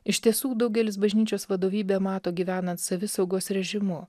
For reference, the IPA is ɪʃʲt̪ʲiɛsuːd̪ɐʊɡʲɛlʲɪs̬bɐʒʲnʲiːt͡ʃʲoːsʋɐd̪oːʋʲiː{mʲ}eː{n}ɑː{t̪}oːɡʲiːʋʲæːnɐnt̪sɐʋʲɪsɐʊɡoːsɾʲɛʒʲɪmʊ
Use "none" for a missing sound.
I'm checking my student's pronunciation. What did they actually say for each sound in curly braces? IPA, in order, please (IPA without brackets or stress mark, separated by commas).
bʲ, m, t̪